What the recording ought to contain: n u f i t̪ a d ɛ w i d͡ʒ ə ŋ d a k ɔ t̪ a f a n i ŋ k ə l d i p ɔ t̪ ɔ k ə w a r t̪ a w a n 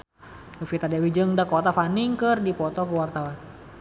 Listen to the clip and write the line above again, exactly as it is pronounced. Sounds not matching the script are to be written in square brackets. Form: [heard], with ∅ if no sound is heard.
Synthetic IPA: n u f i t̪ a d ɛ w i d͡ʒ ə ŋ d a k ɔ t̪ a f a n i ŋ k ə [r] d i p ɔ t̪ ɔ k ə w a r t̪ a w a n